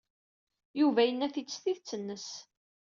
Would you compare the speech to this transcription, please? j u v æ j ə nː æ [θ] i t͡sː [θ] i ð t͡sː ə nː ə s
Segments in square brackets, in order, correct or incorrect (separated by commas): correct, correct